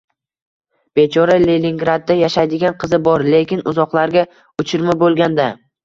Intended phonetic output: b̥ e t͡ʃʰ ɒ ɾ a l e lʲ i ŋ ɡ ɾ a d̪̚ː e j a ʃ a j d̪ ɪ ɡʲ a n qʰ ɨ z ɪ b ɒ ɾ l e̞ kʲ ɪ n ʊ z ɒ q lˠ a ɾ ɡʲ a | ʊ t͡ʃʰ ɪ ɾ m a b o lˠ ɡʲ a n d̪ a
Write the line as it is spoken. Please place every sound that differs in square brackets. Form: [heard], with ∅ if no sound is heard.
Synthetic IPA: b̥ e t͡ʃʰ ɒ ɾ a l e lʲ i ŋ ɡ ɾ a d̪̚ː [a] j a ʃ a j d̪ ɪ ɡʲ a n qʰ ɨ z ɪ b ɒ ɾ l e̞ kʲ ɪ n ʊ z ɒ q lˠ a ɾ ɡʲ a | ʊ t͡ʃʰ ɪ ɾ m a b o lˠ ɡʲ a n d̪ a